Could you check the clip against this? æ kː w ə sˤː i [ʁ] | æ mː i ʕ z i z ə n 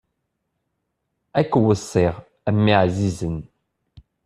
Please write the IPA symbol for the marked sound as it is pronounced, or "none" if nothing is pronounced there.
ʁ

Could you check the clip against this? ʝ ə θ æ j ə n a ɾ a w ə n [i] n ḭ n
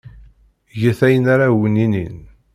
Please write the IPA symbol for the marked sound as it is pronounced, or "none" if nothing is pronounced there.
i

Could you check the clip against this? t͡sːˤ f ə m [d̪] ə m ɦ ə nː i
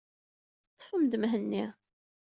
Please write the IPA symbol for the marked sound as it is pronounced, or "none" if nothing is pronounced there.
d̪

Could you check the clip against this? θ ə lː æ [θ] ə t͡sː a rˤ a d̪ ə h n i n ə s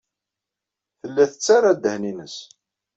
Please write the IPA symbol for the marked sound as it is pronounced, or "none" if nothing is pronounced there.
θ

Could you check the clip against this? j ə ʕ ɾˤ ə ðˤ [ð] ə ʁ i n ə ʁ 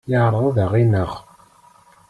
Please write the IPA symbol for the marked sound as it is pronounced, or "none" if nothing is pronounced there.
ð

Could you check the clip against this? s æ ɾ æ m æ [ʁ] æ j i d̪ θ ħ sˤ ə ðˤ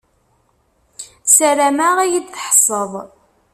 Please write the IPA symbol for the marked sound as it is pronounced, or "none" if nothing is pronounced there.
ʁ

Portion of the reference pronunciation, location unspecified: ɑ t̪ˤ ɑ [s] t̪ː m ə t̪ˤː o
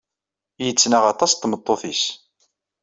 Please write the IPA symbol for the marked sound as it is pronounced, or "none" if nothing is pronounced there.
s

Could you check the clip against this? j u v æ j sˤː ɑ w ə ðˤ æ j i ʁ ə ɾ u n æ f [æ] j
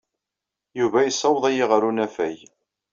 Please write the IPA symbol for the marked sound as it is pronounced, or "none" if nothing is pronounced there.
æ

